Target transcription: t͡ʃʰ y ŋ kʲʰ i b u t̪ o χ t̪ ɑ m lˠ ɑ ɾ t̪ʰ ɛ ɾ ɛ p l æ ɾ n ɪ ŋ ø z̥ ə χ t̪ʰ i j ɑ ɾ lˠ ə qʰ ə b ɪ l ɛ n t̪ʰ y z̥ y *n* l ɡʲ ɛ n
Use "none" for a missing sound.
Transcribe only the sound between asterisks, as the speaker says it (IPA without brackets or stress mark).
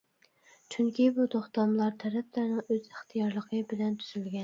none